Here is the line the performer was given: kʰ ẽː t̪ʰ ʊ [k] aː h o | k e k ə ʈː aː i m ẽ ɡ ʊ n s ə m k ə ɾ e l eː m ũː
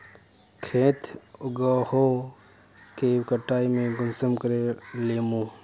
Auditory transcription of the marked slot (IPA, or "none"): ɡ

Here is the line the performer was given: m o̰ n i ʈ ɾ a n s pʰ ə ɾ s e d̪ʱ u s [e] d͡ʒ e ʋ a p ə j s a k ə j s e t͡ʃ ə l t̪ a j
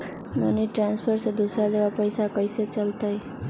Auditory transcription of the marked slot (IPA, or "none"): a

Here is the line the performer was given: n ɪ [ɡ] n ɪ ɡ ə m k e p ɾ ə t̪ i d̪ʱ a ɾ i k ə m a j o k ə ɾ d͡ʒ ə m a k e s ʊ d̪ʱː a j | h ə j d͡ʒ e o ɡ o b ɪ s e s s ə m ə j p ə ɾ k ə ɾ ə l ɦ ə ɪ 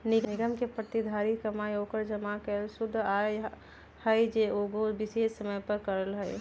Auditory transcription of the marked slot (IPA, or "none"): ɡ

